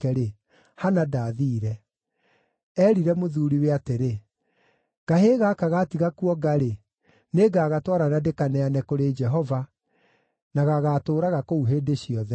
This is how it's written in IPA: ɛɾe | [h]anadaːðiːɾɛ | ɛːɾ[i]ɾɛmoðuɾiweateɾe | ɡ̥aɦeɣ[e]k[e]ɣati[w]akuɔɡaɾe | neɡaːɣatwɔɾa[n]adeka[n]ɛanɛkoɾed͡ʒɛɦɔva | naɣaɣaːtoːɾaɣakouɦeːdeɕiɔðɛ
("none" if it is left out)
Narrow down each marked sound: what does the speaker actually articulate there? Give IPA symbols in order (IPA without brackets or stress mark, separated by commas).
h, i, a, a, ɣ, n, n